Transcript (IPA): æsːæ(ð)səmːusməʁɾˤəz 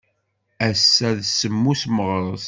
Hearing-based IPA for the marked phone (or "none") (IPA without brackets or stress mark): ð